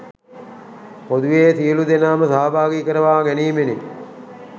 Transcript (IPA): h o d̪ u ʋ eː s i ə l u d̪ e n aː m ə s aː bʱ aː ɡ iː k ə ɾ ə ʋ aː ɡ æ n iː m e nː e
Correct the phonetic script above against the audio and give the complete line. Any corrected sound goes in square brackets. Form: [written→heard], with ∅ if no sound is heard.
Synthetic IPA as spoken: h o d̪ u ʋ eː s i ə l u d̪ e n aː m ə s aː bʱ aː ɡ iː k ə ɾ ə ʋ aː ɡ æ n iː m e [nː→n] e